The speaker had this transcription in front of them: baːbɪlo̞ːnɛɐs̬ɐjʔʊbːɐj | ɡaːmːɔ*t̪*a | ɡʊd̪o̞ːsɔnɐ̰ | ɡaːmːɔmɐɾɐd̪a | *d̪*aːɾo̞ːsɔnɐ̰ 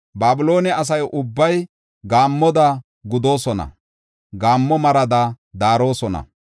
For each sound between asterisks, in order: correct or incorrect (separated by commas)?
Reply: incorrect, correct